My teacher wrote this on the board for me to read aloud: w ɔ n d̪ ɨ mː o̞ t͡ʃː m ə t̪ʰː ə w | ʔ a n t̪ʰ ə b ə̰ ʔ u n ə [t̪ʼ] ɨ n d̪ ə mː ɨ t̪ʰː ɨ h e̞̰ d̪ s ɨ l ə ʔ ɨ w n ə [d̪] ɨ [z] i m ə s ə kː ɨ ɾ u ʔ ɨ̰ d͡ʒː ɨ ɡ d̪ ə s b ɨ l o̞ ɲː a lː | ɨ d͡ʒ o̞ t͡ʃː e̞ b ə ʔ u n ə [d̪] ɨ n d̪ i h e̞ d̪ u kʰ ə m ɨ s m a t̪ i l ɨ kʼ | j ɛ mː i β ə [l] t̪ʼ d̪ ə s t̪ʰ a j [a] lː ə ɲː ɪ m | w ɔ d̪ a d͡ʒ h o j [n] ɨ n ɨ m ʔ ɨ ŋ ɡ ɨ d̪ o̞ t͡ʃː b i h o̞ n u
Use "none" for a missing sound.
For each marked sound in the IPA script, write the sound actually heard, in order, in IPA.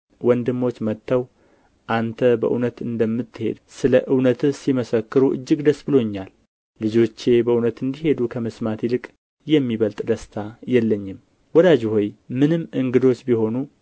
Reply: t̪, t̪, s, t̪, l, ɛ, m

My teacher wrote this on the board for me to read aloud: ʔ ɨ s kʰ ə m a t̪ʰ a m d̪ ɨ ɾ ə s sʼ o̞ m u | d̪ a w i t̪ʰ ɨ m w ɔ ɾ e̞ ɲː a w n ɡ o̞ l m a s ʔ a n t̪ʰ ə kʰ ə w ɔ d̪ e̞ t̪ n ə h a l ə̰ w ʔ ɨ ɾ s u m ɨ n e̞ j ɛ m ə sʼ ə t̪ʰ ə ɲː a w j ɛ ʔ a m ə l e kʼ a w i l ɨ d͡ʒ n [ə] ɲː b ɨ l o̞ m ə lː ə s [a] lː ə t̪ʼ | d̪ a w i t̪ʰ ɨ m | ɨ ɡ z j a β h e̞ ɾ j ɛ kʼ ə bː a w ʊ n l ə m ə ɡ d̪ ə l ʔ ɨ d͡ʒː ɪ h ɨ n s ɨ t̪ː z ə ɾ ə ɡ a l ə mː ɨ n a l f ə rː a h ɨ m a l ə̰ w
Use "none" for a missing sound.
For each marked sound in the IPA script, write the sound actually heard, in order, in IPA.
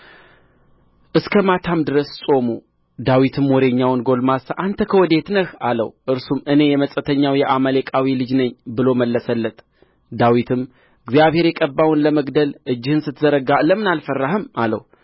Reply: ə, ə

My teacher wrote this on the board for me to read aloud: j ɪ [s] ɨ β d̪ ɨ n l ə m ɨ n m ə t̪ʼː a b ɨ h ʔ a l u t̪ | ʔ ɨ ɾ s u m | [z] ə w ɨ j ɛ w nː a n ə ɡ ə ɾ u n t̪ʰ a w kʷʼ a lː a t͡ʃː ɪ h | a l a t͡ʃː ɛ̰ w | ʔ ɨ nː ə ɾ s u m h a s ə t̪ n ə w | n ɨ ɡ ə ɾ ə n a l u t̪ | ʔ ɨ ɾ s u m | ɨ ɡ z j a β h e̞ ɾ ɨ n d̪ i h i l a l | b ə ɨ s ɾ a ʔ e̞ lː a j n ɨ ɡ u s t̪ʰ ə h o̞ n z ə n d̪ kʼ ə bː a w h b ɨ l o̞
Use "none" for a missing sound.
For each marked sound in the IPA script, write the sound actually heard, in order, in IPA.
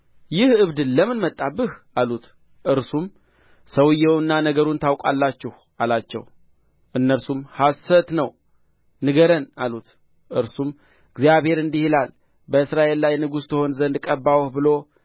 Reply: h, s

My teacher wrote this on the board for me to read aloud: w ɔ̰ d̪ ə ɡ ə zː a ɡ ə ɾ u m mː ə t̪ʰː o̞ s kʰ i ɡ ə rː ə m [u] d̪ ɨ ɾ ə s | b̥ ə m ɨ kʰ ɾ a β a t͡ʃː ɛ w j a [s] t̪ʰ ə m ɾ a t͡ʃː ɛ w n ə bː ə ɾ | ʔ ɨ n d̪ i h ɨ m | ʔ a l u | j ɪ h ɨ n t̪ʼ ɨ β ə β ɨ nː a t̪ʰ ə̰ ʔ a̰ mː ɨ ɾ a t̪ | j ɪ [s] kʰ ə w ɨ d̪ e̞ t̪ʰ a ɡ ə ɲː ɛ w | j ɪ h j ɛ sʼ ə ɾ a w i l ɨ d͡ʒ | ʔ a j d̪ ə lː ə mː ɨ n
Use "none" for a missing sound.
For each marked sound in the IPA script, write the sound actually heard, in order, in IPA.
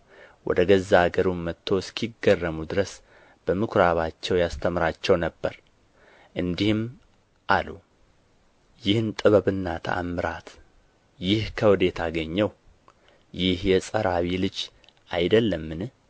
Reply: u, s, h

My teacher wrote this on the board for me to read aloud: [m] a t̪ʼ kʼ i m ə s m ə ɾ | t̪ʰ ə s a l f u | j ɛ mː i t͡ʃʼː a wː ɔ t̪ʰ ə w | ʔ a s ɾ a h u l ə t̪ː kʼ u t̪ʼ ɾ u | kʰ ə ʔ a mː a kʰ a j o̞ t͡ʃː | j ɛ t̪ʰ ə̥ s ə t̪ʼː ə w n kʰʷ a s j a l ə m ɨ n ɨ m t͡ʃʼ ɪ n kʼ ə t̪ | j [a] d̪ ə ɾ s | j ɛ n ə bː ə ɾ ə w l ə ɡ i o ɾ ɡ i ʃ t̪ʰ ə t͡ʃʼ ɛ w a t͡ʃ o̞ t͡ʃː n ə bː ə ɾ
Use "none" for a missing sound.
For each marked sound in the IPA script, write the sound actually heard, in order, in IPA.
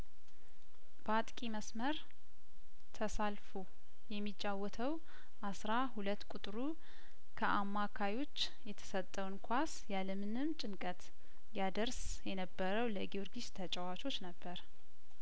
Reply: b, a

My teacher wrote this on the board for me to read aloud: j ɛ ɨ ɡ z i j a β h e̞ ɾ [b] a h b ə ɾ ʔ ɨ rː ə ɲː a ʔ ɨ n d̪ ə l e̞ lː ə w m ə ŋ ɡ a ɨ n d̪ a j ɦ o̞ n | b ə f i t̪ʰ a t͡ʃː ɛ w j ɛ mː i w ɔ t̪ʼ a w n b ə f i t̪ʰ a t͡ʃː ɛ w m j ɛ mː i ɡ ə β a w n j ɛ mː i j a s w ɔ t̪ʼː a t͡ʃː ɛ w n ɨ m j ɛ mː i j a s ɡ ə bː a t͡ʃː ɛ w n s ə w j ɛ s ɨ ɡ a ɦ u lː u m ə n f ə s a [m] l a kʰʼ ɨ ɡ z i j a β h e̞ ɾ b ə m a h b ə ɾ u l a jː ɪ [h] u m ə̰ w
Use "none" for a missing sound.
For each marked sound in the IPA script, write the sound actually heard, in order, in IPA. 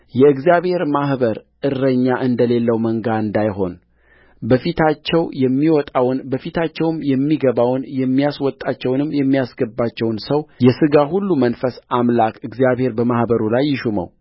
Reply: m, m, ʃ

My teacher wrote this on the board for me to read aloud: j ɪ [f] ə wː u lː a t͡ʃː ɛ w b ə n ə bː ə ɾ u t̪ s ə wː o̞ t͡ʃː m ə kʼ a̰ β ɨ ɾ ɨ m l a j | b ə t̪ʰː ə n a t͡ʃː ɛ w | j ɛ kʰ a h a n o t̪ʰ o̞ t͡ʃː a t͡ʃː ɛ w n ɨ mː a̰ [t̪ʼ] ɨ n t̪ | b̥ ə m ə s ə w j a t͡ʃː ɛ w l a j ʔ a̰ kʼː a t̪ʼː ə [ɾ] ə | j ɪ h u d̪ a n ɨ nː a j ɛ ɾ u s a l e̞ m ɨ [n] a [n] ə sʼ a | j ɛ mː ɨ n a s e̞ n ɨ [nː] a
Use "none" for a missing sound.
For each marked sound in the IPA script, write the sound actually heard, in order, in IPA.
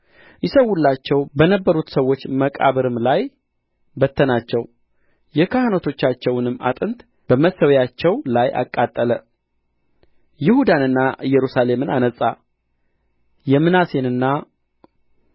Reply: s, t̪ʼ, l, n, n, nː

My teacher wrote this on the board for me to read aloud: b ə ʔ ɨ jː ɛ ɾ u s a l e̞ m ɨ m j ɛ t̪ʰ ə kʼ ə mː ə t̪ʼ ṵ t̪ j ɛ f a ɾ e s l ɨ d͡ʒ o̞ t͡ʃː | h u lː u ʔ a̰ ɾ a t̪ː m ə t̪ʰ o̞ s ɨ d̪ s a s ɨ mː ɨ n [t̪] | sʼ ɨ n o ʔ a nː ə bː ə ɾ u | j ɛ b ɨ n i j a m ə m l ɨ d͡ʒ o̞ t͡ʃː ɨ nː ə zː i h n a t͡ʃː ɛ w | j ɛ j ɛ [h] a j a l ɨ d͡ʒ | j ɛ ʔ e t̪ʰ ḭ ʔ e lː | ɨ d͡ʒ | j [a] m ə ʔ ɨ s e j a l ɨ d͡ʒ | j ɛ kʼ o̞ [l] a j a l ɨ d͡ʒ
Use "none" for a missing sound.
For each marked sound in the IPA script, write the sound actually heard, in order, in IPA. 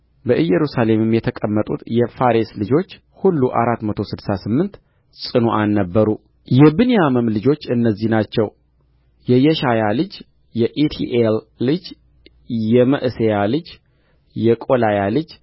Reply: t̪, ʃ, ɛ, l

